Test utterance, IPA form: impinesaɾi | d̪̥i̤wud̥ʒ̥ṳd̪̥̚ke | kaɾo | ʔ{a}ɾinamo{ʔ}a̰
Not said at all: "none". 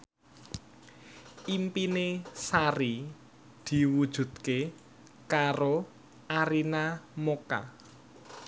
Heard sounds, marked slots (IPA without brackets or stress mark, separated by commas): a, k